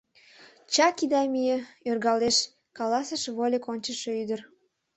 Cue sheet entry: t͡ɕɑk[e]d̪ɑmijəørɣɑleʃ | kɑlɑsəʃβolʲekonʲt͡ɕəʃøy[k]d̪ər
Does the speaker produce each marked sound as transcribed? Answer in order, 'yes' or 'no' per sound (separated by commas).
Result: no, no